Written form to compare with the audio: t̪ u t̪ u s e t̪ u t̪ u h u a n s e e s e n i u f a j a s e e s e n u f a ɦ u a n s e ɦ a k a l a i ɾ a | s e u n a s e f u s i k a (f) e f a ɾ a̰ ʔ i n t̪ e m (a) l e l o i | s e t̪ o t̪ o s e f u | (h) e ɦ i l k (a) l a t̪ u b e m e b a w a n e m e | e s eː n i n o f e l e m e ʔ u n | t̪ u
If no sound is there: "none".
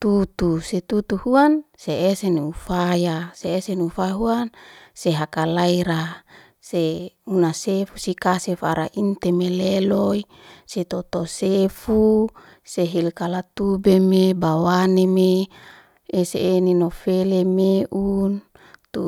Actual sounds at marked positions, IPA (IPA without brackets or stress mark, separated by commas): s, e, s, a